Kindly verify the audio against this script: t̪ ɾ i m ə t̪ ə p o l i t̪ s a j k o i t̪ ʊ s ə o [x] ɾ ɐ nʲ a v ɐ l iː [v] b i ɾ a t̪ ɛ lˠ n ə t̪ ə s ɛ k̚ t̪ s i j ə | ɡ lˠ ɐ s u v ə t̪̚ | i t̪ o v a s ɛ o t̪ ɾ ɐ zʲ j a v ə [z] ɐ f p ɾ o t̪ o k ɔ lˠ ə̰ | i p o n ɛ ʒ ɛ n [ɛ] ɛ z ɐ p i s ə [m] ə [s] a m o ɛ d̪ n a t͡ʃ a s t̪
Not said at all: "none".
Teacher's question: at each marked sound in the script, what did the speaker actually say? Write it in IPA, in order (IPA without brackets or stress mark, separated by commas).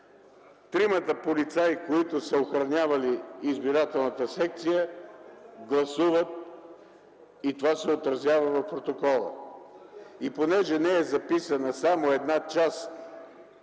x, z, v, ɛ, n, s